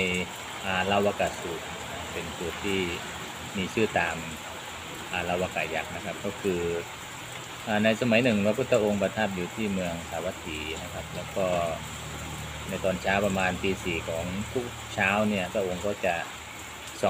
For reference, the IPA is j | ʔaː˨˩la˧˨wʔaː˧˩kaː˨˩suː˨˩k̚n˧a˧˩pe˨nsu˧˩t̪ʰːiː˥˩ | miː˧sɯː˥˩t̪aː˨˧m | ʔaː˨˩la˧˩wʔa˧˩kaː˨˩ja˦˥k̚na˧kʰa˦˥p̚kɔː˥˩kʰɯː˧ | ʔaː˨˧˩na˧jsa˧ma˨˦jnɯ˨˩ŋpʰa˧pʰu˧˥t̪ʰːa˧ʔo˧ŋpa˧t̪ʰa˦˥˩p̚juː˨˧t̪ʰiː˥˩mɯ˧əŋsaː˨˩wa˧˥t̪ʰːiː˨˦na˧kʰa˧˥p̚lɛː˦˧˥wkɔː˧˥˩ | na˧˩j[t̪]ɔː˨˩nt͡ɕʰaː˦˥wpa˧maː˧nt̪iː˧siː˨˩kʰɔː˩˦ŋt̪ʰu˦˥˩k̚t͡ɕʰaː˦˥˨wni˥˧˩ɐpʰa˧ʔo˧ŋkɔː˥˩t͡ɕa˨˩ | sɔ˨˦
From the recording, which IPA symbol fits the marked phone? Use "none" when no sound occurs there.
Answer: t̪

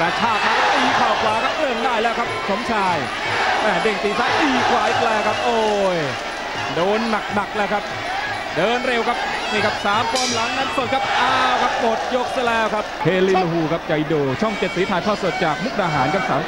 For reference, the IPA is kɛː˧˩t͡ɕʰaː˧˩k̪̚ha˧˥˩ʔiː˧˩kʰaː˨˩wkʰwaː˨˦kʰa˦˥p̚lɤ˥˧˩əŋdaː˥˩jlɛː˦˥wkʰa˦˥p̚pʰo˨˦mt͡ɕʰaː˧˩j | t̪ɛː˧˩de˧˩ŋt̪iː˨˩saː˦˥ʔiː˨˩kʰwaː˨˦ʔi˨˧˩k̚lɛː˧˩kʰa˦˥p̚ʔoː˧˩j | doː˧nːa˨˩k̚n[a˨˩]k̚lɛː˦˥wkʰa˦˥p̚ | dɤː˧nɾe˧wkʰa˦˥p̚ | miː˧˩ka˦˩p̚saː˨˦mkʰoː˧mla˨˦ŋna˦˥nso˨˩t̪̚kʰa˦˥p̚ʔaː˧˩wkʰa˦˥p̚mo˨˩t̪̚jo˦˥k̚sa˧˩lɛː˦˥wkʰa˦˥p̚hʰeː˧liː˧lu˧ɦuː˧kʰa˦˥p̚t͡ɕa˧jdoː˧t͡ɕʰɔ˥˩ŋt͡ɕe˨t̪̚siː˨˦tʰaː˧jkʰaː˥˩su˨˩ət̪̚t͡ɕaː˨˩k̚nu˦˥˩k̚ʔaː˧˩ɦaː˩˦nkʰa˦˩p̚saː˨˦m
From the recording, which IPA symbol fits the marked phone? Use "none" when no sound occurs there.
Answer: a˨˩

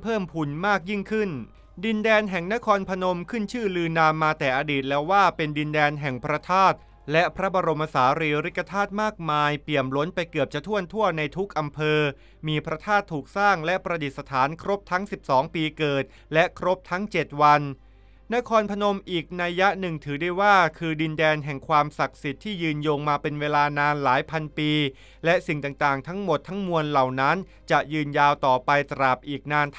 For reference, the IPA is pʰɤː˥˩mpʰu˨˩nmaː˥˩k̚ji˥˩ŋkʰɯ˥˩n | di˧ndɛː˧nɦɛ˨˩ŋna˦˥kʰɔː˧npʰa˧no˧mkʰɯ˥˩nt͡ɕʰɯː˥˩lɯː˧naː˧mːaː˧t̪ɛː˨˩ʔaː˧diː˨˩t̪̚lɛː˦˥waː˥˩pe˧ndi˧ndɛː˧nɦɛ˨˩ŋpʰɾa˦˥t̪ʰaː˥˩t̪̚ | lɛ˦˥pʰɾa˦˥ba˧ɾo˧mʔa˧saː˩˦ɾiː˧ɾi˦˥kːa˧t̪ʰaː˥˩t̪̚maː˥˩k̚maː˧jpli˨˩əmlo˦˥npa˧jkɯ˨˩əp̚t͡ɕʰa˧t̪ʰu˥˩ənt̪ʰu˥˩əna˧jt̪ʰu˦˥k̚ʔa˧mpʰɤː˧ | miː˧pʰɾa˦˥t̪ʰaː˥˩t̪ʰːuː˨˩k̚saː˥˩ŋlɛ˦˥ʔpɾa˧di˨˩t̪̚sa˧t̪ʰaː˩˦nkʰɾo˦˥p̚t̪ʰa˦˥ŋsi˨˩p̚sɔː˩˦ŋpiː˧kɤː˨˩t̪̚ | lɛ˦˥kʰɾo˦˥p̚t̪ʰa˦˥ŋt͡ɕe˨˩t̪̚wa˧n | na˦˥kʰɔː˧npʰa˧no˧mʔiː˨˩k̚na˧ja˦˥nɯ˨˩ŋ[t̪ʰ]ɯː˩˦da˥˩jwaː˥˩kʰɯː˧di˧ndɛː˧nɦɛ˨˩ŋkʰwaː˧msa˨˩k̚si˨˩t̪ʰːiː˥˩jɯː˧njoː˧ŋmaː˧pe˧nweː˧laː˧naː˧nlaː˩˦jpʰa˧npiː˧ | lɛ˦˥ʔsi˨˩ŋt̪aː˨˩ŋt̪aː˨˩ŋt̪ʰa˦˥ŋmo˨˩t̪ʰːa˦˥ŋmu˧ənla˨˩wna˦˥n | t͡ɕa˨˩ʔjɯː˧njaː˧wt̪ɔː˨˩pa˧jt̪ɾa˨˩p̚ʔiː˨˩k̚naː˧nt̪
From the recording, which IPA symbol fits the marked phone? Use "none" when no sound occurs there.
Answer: t̪ʰ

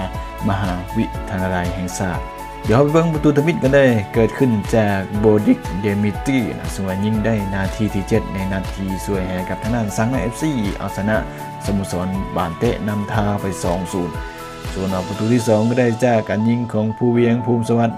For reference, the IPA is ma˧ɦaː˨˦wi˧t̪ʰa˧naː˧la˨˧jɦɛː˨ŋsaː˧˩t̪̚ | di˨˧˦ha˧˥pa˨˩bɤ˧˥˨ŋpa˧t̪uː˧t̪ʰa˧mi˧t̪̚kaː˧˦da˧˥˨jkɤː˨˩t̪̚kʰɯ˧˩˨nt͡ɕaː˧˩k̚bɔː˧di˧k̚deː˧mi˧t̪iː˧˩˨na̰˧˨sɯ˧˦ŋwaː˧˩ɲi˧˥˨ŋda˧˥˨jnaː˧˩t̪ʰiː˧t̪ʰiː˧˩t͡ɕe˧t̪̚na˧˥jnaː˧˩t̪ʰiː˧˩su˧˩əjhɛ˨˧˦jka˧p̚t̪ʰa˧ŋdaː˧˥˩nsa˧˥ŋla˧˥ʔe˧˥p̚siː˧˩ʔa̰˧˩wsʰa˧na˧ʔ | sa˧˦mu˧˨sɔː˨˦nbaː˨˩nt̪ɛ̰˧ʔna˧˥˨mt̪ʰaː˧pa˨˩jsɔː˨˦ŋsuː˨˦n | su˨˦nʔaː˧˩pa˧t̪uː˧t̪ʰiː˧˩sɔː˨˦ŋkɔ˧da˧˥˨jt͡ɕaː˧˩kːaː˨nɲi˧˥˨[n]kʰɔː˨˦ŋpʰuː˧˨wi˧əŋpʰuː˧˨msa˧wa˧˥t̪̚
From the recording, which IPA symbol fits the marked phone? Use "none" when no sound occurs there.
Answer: ŋ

